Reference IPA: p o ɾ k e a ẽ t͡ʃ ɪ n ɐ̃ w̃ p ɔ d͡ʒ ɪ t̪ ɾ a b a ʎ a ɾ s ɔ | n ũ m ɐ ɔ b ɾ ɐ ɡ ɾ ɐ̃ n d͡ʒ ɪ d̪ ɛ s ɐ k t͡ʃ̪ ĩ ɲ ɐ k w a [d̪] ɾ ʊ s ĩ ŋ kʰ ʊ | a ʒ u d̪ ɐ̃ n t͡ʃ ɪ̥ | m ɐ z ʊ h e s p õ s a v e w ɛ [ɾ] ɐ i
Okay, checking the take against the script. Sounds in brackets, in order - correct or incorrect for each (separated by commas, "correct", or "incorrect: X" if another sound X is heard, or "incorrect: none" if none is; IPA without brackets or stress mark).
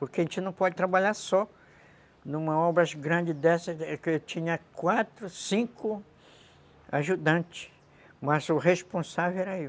incorrect: t̪, correct